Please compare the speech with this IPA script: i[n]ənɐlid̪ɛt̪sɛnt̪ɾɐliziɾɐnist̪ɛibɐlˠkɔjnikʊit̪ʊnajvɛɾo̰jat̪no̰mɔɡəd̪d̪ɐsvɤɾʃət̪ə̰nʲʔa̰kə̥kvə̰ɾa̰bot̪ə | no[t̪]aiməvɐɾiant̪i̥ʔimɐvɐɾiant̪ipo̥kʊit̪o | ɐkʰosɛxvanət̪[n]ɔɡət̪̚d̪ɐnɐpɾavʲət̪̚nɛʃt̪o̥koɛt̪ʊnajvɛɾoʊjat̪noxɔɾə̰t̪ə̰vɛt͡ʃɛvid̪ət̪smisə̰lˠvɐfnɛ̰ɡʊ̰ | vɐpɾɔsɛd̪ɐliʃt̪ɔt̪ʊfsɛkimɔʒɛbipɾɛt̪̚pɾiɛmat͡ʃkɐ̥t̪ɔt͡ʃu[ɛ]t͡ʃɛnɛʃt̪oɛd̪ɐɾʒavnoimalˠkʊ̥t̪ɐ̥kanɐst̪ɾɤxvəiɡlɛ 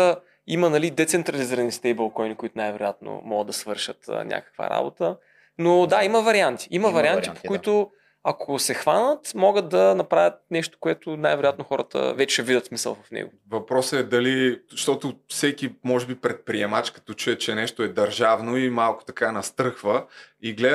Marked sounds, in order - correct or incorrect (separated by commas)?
incorrect, incorrect, incorrect, correct